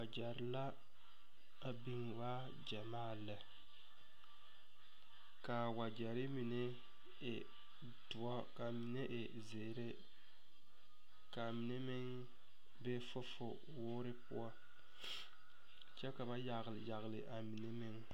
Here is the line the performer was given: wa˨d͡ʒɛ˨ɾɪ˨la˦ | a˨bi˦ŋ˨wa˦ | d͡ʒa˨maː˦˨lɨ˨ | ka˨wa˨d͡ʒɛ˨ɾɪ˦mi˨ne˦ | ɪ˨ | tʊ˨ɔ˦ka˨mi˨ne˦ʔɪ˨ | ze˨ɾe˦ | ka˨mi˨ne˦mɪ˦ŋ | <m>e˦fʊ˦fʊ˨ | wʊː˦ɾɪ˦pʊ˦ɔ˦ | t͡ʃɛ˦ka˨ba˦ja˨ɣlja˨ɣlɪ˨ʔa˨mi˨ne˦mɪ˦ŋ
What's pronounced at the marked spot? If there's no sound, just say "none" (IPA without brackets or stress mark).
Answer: b